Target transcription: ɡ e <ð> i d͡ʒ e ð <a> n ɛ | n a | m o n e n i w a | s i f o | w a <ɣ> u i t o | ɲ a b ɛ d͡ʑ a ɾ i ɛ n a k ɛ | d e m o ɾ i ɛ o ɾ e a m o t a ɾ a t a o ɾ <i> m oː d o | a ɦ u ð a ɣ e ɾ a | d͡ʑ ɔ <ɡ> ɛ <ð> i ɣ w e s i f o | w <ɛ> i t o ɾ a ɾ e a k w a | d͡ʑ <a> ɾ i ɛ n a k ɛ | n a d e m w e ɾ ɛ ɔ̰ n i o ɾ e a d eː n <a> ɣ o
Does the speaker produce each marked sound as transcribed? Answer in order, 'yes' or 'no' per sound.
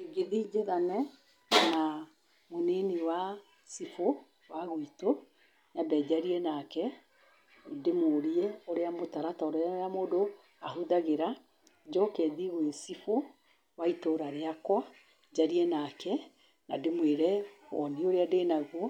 yes, yes, yes, no, no, yes, no, yes, yes

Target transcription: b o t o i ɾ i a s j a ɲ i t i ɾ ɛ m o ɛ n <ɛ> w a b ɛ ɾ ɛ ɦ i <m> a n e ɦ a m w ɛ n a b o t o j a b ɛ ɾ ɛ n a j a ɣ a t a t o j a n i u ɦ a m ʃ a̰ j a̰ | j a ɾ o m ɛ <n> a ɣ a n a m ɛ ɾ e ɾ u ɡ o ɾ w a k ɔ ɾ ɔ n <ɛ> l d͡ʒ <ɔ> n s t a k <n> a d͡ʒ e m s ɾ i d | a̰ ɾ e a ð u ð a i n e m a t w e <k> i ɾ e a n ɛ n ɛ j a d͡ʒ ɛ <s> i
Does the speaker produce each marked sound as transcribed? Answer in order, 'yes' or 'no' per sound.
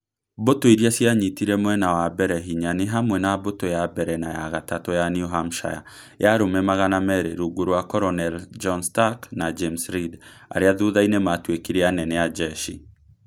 no, no, no, yes, yes, yes, yes, no

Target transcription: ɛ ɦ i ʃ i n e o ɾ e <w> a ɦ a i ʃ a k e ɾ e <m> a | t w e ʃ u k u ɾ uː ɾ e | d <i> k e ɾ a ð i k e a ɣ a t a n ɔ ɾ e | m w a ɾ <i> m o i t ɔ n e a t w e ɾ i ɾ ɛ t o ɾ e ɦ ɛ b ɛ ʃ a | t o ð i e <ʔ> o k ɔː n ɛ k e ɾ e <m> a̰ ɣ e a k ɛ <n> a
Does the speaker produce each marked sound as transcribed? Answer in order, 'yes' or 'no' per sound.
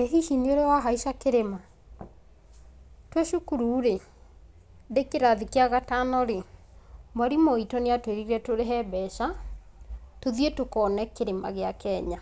yes, yes, no, yes, no, yes, no

